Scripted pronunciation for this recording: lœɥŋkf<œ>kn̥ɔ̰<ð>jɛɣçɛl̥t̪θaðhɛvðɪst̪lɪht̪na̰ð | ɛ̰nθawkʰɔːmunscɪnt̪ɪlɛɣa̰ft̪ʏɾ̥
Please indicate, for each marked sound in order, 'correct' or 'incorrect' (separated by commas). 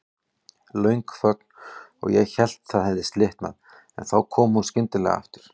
correct, incorrect